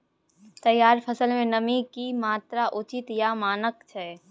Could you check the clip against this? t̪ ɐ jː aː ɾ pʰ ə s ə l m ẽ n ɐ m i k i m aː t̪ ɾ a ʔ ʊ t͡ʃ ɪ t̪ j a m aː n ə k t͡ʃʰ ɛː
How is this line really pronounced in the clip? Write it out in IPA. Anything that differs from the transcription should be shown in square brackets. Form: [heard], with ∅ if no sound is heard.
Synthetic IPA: t̪ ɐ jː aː ɾ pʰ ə s ə l m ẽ n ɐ m i k i m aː t̪ ɾ a ʔ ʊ t͡ʃ ɪ t̪ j a m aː n ə k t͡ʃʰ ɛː